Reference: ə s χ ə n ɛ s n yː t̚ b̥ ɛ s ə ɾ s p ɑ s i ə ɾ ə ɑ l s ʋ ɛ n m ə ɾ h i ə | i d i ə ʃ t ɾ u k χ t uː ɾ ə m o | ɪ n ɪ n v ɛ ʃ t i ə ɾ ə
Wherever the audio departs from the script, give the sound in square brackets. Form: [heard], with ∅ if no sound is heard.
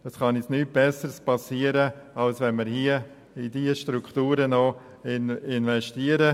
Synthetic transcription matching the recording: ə s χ [ɑ] n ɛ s n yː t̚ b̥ ɛ s ə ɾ s p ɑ s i ə ɾ ə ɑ l s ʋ ɛ n m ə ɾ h i ə | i d i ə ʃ t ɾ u k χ t uː ɾ ə [n] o | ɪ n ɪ n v ɛ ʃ t i ə ɾ ə